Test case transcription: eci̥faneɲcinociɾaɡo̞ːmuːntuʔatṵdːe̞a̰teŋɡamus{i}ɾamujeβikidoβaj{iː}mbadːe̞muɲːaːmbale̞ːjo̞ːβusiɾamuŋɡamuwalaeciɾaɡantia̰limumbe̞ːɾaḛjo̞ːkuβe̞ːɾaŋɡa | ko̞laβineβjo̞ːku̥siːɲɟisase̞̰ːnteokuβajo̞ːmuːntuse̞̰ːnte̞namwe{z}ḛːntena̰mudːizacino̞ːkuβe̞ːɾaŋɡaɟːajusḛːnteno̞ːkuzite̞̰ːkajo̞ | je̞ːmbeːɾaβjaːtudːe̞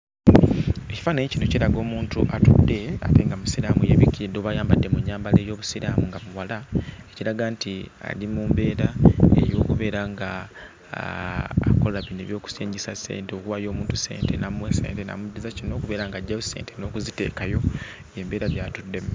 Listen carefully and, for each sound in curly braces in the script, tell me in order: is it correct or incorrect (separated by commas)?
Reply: correct, incorrect, incorrect